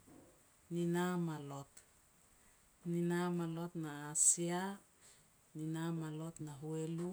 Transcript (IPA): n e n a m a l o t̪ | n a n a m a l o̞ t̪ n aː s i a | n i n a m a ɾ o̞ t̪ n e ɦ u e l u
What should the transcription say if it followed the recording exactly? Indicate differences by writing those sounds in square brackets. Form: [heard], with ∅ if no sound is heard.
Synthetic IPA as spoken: n [i] n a m a l o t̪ | n [i] n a m a l o̞ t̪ n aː s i a | n i n a m a [l] o̞ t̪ n [a] ɦ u e l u